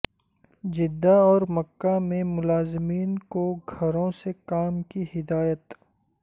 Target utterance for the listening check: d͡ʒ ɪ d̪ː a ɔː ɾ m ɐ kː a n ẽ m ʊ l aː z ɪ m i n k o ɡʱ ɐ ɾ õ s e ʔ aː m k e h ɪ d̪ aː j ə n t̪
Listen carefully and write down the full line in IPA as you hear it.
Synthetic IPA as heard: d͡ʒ ɪ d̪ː a ɔː ɾ m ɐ kː a m ẽ m ʊ l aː z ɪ m iː n k o ɡʱ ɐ ɾ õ s e k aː m k i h ɪ d̪ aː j ə t̪